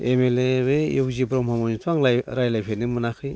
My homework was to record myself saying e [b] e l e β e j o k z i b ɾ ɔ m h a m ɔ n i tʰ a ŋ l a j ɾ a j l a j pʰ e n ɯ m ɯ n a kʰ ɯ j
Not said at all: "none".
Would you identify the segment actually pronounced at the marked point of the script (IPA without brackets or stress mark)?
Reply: m